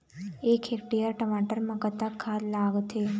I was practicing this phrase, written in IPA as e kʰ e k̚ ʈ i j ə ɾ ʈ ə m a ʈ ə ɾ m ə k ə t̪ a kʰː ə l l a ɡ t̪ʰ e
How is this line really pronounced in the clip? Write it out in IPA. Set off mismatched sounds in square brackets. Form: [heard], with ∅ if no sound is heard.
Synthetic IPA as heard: e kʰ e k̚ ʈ i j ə ɾ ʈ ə m a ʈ ə ɾ m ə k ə t̪ a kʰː [a] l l a ɡ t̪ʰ e